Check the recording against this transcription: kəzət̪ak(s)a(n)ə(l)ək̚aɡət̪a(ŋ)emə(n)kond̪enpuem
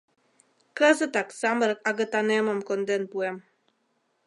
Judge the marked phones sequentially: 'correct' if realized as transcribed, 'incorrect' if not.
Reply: correct, incorrect: m, incorrect: ɾ, incorrect: n, incorrect: m

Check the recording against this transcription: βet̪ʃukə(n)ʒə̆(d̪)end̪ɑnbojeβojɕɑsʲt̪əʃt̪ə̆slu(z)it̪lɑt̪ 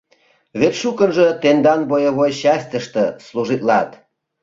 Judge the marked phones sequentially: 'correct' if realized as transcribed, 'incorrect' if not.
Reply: correct, incorrect: t̪, incorrect: ʒ

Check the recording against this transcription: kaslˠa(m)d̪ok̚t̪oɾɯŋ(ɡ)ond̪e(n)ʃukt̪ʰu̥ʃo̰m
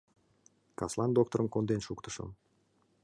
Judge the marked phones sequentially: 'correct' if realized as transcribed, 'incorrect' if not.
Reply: incorrect: n, incorrect: k, correct

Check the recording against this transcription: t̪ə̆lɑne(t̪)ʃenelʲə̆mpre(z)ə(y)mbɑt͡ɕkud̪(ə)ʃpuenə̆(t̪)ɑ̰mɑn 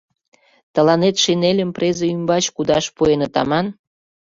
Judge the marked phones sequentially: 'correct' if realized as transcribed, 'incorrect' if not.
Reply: correct, correct, correct, incorrect: ɑ, correct

